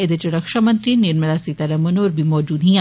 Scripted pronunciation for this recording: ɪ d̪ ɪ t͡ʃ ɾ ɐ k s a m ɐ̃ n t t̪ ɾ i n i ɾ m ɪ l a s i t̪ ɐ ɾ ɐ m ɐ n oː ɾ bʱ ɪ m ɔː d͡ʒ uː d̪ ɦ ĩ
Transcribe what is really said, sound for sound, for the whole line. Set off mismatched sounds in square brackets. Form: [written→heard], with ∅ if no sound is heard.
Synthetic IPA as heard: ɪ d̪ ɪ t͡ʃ ɾ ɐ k [s→ʃ] a m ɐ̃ n t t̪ ɾ i n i ɾ m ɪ l a s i t̪ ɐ ɾ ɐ m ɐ n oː ɾ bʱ [ɪ→i] m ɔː d͡ʒ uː d̪ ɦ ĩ